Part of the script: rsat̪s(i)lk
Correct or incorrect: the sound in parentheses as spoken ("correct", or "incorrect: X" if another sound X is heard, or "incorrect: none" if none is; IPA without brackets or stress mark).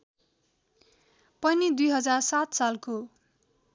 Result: incorrect: a